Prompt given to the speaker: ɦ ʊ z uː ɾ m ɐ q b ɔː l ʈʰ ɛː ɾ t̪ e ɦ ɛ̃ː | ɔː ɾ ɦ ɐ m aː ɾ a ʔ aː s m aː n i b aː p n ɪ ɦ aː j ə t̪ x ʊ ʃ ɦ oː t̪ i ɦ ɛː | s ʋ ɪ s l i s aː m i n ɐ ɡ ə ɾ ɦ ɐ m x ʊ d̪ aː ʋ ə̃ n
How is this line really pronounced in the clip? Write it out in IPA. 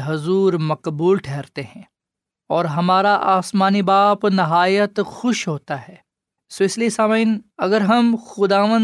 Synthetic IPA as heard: ɦ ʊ z uː ɾ m ɐ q b uː l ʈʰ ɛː ɾ t̪ e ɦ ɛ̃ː | ɔː ɾ ɦ ɐ m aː ɾ a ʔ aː s m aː n i b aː p n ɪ ɦ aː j ə t̪ x ʊ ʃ ɦ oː t̪ a ɦ ɛː | s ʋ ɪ s l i s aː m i n ɐ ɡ ə ɾ ɦ ɐ m x ʊ d̪ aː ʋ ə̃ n